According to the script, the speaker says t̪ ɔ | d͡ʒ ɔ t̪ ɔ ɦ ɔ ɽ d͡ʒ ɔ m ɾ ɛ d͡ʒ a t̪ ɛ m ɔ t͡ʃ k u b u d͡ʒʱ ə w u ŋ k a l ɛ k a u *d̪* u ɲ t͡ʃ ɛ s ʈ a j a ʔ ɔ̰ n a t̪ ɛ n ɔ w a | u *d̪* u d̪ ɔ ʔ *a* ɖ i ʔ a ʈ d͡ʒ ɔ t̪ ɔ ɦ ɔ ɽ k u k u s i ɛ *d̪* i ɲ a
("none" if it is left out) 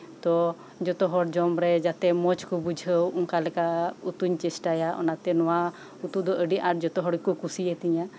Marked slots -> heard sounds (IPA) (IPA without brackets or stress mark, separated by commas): t̪, t̪, ə, t̪